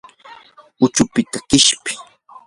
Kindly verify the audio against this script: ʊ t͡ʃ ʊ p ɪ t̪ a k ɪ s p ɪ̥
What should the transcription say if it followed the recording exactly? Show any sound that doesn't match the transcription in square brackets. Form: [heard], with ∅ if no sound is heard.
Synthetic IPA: ʊ t͡ʃ ʊ p ɪ t̪ a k ɪ [ʃ] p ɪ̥